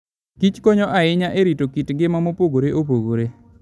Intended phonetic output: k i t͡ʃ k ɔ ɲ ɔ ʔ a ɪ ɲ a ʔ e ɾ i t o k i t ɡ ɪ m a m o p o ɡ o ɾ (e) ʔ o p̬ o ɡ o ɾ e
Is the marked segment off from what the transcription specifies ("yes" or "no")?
no